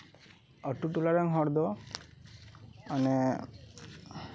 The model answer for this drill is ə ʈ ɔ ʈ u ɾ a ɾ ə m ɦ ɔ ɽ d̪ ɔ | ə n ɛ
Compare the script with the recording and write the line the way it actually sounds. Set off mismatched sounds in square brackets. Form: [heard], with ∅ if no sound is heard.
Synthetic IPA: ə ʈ [u] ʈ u [l] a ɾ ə [ŋ] ɦ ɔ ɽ d̪ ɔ | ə n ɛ

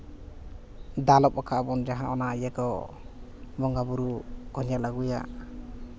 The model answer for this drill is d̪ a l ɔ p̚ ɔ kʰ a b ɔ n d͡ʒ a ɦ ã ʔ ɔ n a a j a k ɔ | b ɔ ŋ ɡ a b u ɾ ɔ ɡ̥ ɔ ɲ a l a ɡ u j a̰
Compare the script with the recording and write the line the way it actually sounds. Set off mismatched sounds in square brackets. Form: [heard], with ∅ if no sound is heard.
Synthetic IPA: d̪ a l ɔ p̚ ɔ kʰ a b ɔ n d͡ʒ a ɦ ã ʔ ɔ n a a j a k ɔ | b ɔ ŋ ɡ a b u ɾ [u] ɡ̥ ɔ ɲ a l a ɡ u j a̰

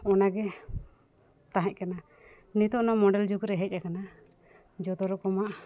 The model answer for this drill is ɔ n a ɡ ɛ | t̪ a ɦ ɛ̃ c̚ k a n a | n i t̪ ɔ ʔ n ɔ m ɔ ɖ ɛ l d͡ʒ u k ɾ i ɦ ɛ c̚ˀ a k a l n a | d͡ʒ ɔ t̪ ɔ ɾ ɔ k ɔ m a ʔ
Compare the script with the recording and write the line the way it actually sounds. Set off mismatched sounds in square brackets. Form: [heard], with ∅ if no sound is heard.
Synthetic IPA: ɔ n a ɡ ɛ | t̪ a ɦ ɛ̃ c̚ k a n a | n i t̪ ɔ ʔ n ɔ m ɔ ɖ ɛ l d͡ʒ u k ɾ [ɛ] ɦ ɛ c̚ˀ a k a [∅] n a | d͡ʒ ɔ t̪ ɔ ɾ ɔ k ɔ m a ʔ

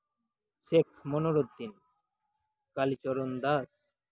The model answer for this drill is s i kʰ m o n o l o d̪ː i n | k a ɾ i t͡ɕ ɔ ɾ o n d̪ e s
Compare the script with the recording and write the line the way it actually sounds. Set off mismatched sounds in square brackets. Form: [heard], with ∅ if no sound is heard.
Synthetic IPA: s [e] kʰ m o n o [ɾ] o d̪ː i n | k a [l] i t͡ɕ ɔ ɾ o n d̪ [a] s

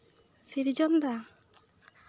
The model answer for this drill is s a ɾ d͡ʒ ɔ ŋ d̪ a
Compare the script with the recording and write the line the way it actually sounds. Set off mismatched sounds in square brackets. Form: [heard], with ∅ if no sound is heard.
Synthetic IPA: s [i] ɾ d͡ʒ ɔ [n] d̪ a

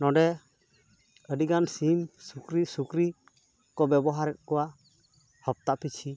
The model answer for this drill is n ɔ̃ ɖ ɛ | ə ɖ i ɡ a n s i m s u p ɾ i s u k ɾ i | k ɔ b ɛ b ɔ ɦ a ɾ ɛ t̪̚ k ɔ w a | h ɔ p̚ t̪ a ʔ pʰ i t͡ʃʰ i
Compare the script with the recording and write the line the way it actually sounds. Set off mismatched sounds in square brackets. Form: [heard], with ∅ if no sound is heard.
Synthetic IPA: n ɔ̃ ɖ ɛ | ə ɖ i ɡ a n s i m s u [k] ɾ i s u k ɾ i | k ɔ b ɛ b ɔ ɦ a ɾ ɛ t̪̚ k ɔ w a | h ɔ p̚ t̪ a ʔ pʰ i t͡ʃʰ i

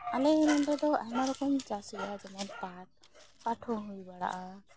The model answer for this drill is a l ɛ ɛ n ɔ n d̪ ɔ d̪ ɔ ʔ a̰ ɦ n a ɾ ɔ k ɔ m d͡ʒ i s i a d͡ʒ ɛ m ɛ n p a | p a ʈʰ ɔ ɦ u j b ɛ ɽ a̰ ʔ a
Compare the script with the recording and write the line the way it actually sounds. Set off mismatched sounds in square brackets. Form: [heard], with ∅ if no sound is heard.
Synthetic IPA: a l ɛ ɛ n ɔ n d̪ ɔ d̪ ɔ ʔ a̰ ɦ n a ɾ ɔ k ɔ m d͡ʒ [a] s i a d͡ʒ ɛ m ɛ n p a | p a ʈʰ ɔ ɦ u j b [a] ɽ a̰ ʔ a

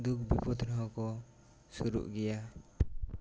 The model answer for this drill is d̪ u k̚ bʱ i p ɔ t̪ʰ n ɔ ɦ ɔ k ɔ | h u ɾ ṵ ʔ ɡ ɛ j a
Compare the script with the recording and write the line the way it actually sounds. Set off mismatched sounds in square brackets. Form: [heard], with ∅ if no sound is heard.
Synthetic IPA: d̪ u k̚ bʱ i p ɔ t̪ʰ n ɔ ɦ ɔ k ɔ | [s] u ɾ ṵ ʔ ɡ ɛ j a

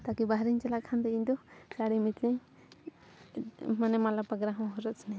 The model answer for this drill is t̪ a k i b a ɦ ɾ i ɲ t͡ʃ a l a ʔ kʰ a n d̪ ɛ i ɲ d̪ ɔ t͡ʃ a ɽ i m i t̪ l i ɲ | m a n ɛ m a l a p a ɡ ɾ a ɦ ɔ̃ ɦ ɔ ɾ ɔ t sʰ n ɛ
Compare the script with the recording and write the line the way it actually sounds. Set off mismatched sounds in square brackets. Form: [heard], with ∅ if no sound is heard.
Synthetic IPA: t̪ a k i b a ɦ ɾ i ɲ t͡ʃ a l a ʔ kʰ a n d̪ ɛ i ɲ d̪ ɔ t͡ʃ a ɽ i m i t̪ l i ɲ | m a n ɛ m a l a p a ɡ ɾ a ɦ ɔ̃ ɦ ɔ ɾ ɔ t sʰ n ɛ

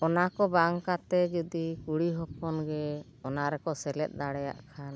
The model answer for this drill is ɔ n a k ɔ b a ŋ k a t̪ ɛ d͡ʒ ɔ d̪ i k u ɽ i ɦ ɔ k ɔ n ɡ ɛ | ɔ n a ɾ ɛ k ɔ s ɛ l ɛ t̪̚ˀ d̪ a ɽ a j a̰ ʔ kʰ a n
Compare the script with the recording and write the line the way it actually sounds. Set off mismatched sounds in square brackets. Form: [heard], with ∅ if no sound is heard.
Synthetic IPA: ɔ n a k ɔ b a ŋ k a t̪ ɛ d͡ʒ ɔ d̪ i k u ɽ i ɦ ɔ [p] ɔ n ɡ ɛ | ɔ n a ɾ ɛ k ɔ s ɛ l ɛ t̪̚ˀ d̪ a ɽ [ɛ] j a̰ ʔ kʰ a n

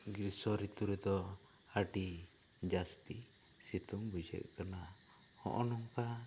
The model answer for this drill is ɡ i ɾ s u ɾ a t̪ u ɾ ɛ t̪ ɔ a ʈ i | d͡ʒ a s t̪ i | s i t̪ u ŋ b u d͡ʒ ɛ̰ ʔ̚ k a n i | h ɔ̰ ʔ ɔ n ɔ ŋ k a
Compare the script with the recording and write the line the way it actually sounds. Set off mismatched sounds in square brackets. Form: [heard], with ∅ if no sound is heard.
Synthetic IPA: ɡ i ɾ s [ɔ] ɾ [i] t̪ u ɾ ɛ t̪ ɔ a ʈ i | d͡ʒ a s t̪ i | s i t̪ u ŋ b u d͡ʒ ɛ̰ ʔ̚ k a n [a] | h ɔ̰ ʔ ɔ n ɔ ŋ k a

